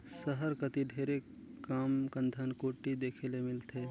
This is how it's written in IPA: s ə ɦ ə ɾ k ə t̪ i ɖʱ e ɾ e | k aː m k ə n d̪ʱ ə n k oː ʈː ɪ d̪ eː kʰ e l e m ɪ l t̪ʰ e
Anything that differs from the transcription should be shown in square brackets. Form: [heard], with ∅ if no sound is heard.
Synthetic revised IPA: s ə ɦ ə ɾ k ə t̪ i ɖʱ e ɾ e | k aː m k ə n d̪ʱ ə n k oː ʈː [i] d̪ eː kʰ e l e m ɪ l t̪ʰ e